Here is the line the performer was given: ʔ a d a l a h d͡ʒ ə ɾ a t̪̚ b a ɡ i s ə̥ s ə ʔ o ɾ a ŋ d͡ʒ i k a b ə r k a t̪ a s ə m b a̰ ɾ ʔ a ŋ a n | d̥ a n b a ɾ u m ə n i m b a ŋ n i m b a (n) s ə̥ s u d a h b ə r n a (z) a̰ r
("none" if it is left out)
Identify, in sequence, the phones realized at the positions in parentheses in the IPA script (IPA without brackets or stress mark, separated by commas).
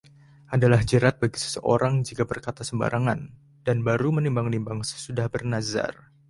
ŋ, z